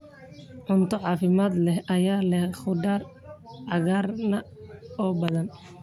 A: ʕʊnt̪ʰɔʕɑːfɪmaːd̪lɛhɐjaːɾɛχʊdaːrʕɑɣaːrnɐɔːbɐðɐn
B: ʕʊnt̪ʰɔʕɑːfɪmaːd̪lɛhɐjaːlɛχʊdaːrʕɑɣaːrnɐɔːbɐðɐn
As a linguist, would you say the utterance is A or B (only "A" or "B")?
B